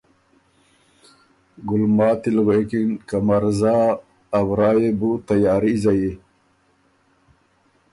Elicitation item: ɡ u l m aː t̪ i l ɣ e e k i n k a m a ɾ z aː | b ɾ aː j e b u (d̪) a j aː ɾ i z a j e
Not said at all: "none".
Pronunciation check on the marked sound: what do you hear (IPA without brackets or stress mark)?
t̪